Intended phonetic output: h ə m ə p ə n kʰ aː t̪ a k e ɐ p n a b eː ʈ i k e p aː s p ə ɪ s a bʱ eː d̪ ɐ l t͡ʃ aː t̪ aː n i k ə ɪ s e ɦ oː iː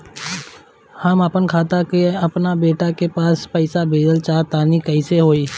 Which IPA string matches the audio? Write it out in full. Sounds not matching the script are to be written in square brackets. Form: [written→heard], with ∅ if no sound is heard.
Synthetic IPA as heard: h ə m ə p ə n kʰ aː t̪ a k e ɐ p n a b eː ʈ [i→a] k e p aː s p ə ɪ s a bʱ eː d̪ [ɐ→ə] l t͡ʃ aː t̪ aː n i k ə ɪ s e ɦ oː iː